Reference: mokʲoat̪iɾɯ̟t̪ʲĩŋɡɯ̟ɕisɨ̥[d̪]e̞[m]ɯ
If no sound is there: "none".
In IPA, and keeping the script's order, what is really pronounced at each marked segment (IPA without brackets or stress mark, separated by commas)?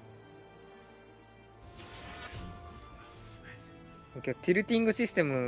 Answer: t̪, m